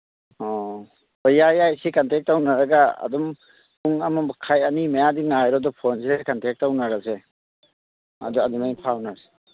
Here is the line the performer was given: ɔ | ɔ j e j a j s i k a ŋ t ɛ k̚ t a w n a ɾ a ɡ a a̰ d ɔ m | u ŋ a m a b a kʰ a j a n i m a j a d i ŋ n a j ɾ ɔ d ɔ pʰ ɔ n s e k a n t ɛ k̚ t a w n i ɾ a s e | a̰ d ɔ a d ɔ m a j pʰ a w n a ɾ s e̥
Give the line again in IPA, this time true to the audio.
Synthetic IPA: ɔ | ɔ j a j a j s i k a n t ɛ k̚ t a w n a ɾ a ɡ a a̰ d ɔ m | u ŋ a m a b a kʰ a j a n i m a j a d i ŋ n a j ɾ ɔ d ɔ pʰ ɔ n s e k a n t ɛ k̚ t a w n a ɾ a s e | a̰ d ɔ a d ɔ m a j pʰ a w n a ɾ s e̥